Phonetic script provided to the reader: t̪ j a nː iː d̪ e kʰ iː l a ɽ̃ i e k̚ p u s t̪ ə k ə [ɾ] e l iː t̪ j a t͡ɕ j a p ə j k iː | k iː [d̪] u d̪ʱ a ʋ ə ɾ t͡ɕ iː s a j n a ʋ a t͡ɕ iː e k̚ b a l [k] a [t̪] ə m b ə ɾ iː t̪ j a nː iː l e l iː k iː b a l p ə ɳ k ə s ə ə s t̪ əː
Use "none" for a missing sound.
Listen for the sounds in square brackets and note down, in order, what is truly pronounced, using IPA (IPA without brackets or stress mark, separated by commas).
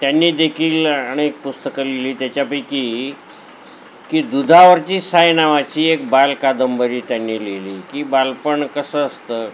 l, d̪, k, d̪